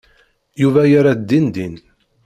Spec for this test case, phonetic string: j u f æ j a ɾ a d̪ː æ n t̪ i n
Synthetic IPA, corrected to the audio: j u v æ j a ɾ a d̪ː i n d̪ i n